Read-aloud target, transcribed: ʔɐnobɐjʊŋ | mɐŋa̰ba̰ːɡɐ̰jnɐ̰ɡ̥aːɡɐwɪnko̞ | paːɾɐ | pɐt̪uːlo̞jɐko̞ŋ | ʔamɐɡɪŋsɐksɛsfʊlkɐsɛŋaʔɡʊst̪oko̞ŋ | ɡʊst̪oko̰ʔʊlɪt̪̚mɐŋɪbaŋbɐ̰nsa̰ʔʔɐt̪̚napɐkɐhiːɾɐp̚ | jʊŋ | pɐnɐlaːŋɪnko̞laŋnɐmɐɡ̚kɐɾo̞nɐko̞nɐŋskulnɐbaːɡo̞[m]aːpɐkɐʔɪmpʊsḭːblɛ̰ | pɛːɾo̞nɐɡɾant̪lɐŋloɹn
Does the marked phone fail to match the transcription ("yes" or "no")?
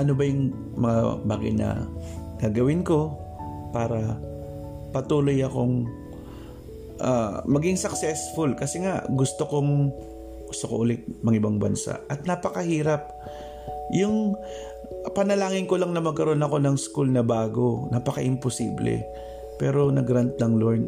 yes